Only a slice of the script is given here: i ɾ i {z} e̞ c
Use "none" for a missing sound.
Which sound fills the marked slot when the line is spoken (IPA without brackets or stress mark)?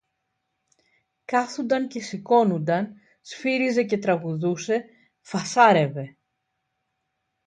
z